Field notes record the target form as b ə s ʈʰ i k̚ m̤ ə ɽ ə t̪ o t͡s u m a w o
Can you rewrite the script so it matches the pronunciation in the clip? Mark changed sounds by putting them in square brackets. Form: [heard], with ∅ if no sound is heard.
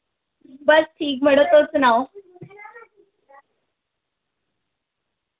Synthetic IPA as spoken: b ə s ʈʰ [iː] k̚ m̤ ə ɽ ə t̪ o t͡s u [n] a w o